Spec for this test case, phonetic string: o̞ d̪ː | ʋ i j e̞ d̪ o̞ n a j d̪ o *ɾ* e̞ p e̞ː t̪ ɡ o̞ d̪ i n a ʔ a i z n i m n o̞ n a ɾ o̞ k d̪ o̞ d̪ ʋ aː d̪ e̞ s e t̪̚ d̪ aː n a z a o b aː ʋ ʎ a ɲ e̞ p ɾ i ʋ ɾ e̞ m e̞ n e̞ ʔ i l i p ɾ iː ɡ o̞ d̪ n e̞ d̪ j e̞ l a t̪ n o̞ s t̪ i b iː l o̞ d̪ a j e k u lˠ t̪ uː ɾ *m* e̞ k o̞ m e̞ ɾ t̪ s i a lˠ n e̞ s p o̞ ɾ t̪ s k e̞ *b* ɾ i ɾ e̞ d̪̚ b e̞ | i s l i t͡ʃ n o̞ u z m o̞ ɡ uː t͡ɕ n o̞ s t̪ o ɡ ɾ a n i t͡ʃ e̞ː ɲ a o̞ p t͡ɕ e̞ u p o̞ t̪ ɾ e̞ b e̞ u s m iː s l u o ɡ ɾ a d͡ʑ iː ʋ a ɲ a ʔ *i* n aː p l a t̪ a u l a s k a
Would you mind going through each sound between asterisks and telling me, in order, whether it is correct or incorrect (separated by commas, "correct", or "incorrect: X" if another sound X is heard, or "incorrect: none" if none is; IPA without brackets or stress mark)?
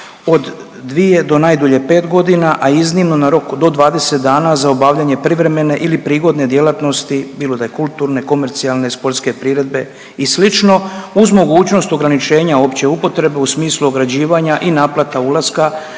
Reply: incorrect: ʎ, incorrect: n, incorrect: p, correct